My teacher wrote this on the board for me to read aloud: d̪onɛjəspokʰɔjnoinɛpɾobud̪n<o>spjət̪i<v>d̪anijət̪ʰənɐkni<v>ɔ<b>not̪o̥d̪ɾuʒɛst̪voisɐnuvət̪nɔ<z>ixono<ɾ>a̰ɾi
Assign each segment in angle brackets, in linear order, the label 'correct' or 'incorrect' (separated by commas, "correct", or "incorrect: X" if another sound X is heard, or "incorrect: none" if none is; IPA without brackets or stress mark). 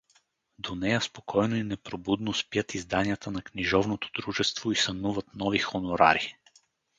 correct, incorrect: z, incorrect: ʒ, incorrect: v, incorrect: v, correct